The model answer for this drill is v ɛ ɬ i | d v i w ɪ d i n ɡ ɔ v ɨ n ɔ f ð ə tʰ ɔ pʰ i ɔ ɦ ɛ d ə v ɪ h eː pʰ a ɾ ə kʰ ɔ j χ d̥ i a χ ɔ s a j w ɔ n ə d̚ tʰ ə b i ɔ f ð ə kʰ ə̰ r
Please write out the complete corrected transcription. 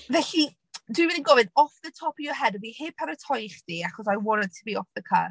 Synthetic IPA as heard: v ɛ ɬ i | d w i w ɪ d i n ɡ ɔ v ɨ n ɔ f ð ə tʰ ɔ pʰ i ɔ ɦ ɛ d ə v i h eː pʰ a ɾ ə tʰ ɔ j χ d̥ i a χ ɔ s a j w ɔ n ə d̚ tʰ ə b i ɔ f ð ə kʰ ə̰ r